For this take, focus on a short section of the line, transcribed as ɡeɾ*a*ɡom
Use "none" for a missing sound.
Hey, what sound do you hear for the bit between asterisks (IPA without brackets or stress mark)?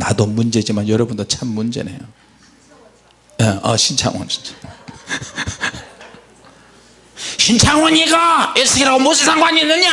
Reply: a